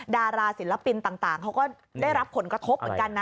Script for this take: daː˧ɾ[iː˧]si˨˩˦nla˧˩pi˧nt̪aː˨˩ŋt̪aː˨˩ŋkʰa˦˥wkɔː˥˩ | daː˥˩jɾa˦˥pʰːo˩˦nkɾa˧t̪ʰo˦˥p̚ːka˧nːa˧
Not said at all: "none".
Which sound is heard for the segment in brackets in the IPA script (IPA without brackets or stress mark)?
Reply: aː˧